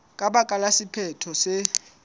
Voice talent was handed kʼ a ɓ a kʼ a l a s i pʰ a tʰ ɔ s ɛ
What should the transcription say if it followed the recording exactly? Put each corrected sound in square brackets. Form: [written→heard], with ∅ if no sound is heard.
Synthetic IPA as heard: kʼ a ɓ a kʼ a l a s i pʰ [a→ɛ] tʰ ɔ s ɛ